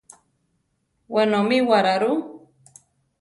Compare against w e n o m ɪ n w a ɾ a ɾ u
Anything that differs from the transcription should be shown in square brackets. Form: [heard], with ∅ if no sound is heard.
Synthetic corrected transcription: w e n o m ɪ [∅] w a ɾ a ɾ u